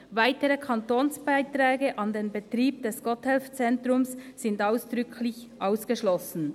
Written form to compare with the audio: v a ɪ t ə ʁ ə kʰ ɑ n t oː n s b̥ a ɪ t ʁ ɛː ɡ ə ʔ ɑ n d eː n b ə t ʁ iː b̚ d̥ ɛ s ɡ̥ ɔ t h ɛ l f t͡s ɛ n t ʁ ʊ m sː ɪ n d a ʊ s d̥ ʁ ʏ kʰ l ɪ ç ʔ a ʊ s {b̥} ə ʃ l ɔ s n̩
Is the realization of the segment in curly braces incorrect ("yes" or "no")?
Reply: yes